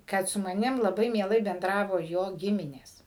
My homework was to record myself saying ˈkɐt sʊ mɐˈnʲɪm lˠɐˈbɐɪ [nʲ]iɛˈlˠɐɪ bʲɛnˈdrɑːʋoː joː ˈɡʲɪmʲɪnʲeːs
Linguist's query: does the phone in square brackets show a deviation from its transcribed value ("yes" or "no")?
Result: yes